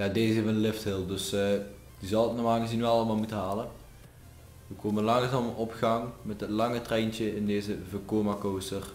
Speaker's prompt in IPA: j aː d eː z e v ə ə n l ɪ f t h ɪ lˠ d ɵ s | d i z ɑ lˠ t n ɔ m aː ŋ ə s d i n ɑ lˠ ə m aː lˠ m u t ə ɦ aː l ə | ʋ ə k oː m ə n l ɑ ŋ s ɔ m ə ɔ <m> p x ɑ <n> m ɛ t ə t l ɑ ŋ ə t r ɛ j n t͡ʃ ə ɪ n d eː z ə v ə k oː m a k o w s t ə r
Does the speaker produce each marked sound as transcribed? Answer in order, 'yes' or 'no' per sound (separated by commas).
no, no